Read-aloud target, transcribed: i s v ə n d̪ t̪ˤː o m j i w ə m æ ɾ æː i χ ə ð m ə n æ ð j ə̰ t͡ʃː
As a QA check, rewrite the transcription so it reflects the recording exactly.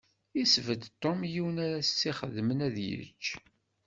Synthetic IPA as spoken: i s v ə d̪ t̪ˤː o m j i w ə n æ ɾ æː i χ ə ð m ə n æ ð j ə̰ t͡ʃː